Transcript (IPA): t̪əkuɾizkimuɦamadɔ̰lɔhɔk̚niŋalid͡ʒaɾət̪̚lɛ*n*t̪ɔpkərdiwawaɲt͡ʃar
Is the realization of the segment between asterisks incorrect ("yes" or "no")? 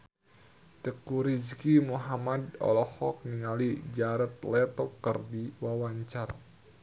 yes